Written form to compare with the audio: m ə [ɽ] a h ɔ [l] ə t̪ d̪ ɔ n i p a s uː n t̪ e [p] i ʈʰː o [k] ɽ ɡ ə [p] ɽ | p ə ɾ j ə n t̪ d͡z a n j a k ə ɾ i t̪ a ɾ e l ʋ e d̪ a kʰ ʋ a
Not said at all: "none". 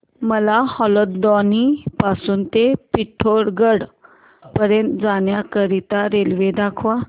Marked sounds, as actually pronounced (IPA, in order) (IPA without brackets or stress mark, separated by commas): l, l, p, none, none